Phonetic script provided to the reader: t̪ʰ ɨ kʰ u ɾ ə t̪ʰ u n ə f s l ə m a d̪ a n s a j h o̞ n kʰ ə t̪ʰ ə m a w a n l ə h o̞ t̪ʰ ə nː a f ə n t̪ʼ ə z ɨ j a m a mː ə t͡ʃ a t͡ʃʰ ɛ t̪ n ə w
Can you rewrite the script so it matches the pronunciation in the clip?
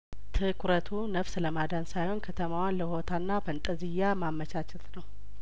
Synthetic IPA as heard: t̪ʰ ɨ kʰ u ɾ ə t̪ʰ u n ə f s l ə m a d̪ a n s a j h o̞ n kʰ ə t̪ʰ ə m a w a n l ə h o̞ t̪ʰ a nː a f ə n t̪ʼ ə z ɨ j a m a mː ə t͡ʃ a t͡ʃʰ ɛ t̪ n ə w